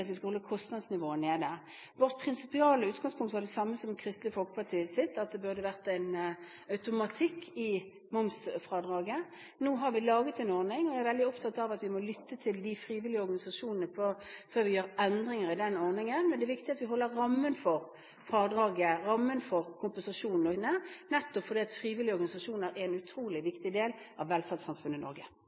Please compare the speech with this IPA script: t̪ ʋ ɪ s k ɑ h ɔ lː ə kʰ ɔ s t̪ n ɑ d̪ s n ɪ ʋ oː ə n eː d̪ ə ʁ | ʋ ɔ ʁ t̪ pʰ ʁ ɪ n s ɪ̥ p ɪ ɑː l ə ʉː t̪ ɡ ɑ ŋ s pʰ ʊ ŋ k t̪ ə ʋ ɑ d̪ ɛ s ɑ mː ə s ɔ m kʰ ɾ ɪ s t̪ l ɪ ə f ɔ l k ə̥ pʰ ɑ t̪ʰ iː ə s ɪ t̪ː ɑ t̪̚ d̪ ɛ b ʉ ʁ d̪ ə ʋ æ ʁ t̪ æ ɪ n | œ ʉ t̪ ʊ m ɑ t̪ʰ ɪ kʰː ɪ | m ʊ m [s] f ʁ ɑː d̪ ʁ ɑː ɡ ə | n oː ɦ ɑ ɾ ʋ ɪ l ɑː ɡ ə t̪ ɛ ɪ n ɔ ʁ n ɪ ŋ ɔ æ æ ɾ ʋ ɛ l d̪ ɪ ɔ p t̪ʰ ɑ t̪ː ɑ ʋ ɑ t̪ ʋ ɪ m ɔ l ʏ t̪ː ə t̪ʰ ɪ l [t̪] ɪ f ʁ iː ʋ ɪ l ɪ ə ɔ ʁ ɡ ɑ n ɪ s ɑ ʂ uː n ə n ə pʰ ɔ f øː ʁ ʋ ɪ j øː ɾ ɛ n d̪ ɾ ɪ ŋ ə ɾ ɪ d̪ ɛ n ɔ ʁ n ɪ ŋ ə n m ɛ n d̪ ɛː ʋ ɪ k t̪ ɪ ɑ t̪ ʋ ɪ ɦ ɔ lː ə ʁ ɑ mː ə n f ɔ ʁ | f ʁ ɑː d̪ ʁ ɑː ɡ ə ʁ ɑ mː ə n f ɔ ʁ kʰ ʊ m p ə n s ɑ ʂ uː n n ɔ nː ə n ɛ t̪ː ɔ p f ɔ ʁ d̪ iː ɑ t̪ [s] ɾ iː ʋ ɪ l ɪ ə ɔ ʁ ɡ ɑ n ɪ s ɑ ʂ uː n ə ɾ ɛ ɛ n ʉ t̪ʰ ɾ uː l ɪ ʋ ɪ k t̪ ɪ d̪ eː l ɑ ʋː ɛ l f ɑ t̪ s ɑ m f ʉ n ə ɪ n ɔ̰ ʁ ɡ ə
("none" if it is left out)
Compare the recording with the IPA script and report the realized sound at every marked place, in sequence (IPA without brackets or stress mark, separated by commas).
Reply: s, d̪, f